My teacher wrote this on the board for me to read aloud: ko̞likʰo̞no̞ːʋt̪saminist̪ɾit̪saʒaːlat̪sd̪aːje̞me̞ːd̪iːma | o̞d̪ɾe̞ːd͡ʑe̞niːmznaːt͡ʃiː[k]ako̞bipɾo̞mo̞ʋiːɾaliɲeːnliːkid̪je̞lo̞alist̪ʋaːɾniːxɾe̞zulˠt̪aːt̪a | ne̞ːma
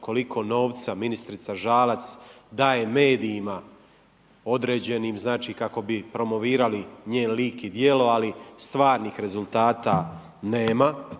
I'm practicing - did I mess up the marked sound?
no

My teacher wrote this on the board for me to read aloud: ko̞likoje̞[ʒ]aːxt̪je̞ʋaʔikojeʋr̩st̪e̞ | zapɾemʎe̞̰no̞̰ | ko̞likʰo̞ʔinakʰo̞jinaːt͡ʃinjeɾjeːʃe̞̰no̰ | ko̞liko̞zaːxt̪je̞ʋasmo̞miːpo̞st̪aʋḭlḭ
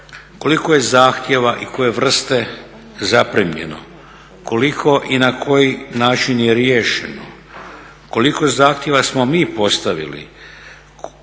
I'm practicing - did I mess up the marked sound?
yes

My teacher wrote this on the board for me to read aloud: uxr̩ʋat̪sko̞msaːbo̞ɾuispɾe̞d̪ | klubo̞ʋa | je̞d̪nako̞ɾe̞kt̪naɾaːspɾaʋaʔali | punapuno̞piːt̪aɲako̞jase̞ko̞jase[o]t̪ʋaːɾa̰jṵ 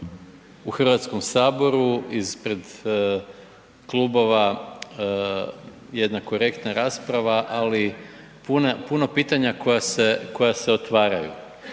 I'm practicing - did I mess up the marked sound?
no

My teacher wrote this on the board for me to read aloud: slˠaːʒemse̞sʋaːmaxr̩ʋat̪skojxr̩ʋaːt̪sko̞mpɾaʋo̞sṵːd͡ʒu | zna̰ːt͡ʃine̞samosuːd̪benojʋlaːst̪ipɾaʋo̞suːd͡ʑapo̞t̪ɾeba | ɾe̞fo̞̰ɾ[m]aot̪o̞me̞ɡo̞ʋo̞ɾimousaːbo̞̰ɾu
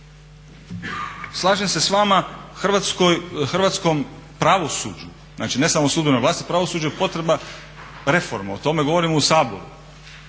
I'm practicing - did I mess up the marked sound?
no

